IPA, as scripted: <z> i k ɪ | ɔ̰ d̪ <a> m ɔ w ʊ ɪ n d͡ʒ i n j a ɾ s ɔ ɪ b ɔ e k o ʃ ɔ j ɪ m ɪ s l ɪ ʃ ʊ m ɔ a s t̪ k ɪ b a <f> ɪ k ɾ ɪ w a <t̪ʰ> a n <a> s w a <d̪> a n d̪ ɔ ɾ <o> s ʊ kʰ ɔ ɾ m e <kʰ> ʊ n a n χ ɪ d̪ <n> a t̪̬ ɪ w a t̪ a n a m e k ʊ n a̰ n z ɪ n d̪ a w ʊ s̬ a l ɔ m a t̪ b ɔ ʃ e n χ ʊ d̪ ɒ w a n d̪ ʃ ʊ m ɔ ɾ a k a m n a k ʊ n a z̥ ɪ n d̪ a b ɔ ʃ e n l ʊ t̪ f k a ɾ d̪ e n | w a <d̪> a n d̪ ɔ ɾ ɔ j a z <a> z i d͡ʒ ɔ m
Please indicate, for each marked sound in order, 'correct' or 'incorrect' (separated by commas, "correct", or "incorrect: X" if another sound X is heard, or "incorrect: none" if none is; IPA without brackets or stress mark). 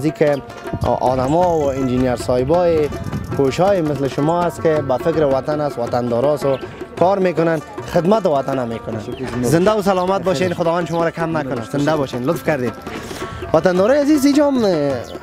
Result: correct, correct, correct, incorrect: t̪, correct, incorrect: t̪, incorrect: ɔ, incorrect: k, incorrect: m, incorrect: t̪, incorrect: i